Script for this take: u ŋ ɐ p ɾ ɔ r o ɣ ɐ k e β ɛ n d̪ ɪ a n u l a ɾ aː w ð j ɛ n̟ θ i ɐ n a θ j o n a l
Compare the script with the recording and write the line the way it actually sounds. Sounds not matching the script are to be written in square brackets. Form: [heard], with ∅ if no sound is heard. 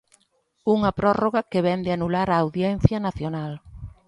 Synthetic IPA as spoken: u ŋ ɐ p ɾ ɔ r o ɣ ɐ k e β ɛ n d̪ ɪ a n u l a ɾ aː w ð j ɛ n̟ θ [j] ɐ n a θ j o n a l